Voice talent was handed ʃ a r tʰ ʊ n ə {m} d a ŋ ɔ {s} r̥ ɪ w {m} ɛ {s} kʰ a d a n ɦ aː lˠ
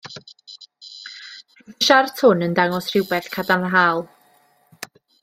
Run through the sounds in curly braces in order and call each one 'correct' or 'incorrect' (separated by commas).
incorrect, correct, incorrect, incorrect